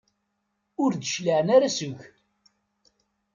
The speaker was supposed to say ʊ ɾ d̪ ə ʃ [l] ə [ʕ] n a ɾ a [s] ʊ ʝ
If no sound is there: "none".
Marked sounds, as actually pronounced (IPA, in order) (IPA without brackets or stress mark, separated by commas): l, ʕ, s